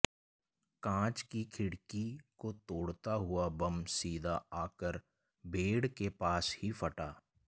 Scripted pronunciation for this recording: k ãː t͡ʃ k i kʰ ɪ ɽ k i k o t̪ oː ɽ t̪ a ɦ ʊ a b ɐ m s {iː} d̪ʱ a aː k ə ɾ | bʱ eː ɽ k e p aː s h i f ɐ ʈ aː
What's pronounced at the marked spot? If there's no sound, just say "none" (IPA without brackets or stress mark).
iː